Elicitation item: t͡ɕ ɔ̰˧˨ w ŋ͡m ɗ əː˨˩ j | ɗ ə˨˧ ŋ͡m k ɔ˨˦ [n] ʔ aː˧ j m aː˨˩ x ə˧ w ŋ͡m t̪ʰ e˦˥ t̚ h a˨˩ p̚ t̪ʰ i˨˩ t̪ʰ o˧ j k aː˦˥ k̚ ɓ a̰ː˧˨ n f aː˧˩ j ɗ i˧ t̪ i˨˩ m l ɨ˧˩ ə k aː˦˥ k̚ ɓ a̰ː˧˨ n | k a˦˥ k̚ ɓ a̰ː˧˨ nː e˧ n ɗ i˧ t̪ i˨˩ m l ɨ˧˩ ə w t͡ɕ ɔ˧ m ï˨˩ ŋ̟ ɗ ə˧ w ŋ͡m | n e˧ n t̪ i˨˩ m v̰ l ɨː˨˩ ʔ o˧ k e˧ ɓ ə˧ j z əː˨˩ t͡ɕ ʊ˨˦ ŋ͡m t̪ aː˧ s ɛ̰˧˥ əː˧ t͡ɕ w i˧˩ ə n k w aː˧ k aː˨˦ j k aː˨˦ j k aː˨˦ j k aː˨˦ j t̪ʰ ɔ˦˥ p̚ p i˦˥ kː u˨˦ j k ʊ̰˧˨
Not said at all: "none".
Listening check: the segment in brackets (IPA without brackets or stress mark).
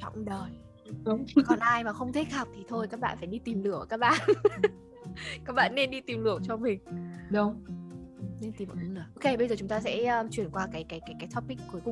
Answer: n